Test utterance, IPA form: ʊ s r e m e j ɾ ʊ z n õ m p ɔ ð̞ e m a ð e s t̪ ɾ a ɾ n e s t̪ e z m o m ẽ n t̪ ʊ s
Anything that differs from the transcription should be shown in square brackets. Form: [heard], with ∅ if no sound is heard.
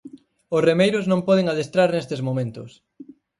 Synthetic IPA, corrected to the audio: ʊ s r e m e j ɾ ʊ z n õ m p ɔ ð̞ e [ŋ] a ð e s t̪ ɾ a ɾ n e s t̪ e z m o m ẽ n t̪ ʊ s